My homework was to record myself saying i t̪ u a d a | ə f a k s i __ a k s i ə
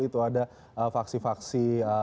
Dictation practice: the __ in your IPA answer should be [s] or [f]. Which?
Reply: f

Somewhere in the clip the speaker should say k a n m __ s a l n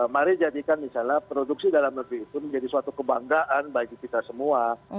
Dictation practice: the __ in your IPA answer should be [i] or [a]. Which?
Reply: i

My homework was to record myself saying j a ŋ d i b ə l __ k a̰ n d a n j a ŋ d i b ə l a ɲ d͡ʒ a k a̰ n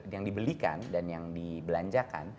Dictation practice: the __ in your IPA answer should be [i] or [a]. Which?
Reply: i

